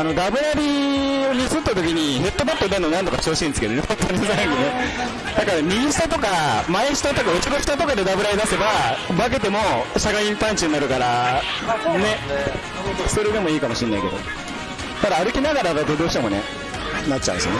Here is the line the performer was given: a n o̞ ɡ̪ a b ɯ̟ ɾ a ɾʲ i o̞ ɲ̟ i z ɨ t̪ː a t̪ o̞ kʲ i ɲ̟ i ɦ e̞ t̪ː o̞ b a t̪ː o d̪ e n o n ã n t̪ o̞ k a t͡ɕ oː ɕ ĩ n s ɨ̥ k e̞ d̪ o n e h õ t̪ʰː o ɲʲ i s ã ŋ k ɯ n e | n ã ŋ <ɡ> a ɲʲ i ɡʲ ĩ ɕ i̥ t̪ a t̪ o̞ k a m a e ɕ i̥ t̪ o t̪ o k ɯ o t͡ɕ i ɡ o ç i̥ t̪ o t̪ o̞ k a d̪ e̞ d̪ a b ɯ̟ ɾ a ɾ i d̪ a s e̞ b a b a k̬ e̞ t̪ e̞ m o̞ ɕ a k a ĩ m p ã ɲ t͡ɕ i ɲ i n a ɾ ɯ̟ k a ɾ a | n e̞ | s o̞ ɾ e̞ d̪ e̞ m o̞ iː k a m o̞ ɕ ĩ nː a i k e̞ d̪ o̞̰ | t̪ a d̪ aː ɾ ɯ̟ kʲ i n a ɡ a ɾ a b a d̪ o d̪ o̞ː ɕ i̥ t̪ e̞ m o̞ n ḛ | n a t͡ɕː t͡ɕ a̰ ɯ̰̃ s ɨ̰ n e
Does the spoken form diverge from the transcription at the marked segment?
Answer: yes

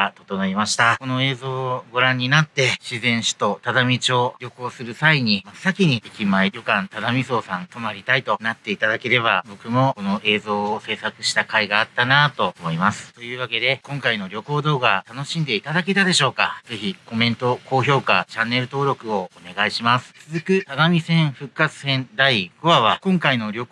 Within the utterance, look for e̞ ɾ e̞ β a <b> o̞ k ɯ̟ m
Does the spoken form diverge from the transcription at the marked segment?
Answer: no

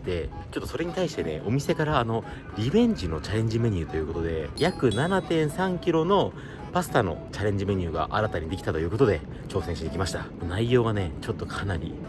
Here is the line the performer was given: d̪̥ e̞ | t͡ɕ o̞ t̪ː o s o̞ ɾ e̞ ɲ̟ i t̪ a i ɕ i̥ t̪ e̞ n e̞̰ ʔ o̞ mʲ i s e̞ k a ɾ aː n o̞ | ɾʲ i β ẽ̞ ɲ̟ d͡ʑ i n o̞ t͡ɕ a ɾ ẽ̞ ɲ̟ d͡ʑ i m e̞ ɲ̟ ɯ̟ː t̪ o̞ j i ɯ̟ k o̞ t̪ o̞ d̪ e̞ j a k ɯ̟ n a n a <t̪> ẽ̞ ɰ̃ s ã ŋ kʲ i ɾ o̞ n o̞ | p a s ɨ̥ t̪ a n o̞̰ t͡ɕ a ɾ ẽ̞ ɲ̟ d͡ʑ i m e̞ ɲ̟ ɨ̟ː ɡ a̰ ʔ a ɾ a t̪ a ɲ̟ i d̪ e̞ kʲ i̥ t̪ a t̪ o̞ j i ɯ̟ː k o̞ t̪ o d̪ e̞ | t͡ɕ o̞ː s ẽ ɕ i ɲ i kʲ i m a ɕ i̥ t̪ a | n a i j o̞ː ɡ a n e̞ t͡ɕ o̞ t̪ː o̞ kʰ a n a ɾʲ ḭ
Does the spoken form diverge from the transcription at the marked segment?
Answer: no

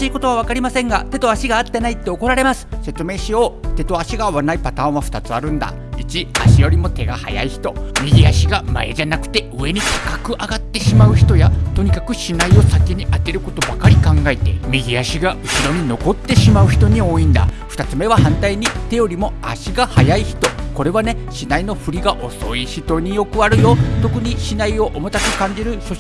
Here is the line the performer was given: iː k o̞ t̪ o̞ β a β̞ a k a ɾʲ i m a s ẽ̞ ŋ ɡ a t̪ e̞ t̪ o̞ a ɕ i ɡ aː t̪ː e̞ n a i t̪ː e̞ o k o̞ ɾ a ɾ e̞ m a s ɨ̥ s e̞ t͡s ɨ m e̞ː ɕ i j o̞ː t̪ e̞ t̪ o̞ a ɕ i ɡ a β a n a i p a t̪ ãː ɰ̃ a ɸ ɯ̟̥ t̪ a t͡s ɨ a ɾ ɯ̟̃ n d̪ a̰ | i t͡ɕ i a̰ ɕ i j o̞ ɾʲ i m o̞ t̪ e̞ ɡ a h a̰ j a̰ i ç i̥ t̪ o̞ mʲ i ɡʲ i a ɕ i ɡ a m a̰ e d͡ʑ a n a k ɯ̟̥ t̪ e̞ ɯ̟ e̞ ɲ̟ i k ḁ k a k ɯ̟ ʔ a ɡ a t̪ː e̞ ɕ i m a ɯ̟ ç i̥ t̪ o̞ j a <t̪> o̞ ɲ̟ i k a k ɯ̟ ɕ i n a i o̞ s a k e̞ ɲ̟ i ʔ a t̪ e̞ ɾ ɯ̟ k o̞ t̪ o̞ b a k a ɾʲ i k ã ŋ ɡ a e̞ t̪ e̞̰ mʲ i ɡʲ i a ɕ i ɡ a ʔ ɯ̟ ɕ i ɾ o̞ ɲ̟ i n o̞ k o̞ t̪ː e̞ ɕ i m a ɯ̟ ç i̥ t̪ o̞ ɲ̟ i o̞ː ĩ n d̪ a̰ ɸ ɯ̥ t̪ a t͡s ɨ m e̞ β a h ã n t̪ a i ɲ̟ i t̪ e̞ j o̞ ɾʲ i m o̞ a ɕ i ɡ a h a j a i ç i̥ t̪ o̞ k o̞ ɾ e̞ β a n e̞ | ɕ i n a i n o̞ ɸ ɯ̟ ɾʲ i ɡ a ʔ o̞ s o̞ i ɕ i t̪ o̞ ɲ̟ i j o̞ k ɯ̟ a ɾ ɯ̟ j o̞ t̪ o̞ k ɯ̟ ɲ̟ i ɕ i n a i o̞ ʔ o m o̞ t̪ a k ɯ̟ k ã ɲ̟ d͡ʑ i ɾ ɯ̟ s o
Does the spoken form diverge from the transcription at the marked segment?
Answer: no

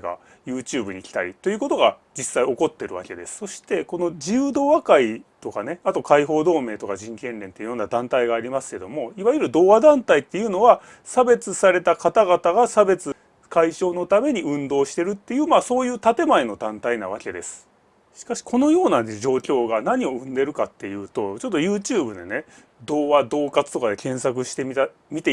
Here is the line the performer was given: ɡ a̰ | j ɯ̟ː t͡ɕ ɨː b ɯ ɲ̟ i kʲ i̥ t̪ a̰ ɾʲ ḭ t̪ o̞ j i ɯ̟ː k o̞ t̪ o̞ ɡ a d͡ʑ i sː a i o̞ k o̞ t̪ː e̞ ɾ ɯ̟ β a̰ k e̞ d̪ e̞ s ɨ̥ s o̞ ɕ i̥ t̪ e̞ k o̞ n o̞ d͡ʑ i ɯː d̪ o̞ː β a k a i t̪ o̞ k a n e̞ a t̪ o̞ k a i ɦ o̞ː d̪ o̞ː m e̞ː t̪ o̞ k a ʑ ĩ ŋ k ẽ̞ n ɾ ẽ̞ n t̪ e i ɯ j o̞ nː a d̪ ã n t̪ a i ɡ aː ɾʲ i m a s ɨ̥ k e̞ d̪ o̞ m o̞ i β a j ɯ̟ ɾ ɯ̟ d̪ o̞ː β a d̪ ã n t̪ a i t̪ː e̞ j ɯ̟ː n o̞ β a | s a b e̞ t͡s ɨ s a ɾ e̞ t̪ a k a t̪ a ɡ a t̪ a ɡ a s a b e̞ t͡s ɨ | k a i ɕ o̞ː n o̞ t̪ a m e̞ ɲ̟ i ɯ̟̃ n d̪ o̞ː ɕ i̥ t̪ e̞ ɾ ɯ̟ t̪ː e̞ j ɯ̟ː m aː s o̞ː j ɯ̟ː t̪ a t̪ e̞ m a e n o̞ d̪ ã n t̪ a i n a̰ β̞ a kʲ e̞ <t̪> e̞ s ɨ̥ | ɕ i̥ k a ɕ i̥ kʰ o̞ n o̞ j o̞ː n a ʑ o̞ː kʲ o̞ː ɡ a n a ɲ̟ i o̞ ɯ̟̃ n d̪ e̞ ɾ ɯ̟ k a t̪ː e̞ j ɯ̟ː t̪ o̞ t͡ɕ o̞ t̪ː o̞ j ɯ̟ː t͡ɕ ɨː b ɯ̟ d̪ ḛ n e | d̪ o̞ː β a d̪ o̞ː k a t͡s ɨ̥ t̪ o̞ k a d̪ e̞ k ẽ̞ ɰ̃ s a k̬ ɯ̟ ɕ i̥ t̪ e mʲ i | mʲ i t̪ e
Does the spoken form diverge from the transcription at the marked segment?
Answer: yes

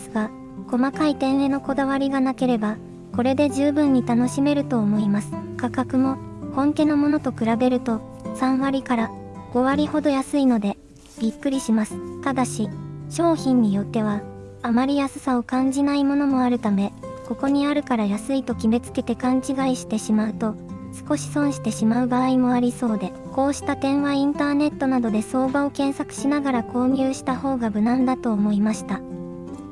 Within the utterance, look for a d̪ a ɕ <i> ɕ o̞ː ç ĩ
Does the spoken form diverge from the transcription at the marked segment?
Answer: no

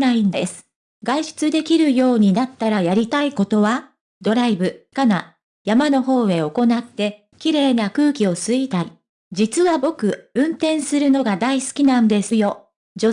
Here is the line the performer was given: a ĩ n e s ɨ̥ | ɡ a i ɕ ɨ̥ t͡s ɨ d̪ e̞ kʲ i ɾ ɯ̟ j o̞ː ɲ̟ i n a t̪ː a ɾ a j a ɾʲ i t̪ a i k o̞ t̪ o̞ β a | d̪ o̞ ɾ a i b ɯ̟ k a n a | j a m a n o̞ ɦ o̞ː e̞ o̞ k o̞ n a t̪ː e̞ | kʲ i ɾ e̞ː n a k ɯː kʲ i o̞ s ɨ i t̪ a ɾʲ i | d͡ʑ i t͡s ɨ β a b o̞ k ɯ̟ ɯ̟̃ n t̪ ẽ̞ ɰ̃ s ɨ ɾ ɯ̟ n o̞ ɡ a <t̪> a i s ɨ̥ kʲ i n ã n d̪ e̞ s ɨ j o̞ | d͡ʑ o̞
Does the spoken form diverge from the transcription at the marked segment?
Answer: yes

